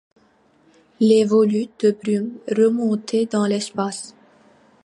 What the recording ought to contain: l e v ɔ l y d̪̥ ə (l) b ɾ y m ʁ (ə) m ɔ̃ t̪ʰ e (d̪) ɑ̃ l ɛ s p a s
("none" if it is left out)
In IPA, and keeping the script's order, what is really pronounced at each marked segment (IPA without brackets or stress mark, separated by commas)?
none, ə, d̪